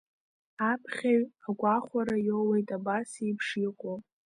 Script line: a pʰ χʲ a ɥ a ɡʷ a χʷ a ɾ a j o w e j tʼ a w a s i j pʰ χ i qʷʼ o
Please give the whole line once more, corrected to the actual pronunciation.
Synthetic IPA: a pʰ χʲ a ɥ a ɡʷ a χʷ a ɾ a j o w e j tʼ a b a s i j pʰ ʂ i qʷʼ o